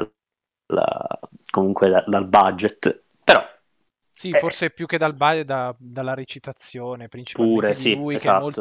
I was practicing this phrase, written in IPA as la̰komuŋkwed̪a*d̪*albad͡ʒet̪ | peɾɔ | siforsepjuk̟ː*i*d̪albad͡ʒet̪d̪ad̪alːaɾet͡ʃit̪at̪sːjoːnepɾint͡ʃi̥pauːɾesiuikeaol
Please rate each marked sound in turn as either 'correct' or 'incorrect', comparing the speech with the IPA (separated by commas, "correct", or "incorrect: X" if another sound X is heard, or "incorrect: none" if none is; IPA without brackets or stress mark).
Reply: correct, incorrect: e